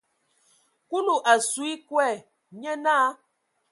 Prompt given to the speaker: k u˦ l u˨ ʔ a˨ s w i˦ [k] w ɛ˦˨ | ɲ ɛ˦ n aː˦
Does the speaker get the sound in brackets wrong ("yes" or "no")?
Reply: no